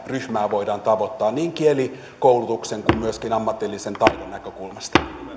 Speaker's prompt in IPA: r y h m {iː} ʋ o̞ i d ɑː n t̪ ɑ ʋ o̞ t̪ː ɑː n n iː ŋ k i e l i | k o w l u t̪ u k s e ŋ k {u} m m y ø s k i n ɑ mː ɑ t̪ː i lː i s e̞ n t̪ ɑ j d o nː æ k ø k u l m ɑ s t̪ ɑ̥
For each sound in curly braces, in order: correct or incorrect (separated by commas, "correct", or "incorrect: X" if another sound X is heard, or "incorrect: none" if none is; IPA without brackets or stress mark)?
incorrect: æː, correct